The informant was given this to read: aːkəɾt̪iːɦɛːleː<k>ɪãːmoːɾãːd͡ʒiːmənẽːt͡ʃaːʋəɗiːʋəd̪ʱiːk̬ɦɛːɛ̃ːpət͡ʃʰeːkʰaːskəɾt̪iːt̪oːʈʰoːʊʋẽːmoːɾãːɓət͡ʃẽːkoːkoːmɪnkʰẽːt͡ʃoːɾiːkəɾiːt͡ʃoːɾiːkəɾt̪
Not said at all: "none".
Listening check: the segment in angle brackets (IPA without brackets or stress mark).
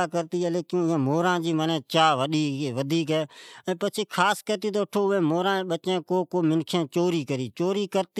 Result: k